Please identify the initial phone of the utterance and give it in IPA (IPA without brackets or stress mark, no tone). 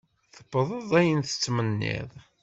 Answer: θ